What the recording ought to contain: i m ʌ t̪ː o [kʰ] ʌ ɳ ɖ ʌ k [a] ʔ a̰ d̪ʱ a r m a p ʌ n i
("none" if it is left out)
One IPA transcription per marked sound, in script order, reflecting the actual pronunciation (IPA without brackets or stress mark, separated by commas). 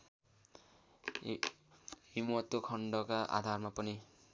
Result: kʰ, a